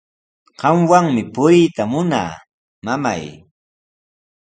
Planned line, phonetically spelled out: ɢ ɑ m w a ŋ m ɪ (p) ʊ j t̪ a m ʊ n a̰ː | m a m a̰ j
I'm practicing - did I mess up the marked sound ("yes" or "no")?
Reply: no